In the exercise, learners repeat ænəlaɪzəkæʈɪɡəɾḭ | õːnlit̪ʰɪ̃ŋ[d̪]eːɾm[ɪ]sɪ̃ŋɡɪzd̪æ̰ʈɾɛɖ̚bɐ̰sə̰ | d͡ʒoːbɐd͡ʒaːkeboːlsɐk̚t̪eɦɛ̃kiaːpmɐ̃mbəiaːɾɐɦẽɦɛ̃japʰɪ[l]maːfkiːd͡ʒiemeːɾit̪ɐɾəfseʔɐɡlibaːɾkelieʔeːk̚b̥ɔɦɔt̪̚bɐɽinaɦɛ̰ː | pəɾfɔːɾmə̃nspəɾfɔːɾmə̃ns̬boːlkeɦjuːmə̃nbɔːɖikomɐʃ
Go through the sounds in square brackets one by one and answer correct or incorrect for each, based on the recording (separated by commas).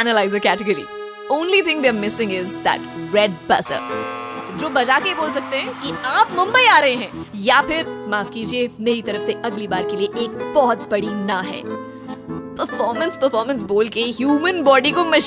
correct, correct, incorrect